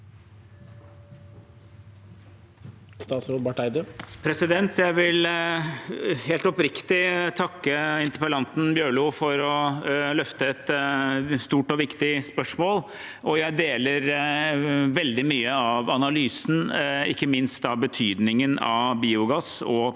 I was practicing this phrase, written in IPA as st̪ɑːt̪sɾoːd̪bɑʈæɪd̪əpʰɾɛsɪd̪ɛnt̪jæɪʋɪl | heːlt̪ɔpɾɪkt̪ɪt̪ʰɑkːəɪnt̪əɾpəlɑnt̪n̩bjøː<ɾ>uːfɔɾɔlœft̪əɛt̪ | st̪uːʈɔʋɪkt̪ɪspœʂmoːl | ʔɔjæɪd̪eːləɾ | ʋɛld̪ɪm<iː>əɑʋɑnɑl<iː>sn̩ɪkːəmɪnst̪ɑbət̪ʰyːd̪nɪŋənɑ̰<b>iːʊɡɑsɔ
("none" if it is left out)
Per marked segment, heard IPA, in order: ɭ, yː, yː, b

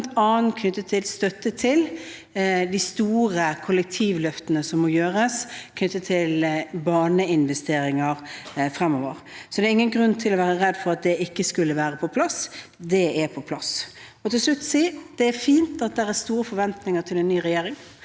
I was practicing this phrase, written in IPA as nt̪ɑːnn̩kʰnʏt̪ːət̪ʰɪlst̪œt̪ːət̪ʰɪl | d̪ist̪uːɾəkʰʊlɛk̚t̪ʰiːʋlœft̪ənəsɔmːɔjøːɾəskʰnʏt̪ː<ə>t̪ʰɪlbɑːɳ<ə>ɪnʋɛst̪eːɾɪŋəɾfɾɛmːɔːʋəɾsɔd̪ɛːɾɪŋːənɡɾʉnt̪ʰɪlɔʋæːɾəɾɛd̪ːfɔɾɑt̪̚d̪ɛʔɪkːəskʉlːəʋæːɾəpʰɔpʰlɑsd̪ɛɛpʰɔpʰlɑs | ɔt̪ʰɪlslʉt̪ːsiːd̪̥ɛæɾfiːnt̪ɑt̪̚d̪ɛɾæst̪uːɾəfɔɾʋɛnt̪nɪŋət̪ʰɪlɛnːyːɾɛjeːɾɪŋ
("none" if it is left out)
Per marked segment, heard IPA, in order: ə, ə

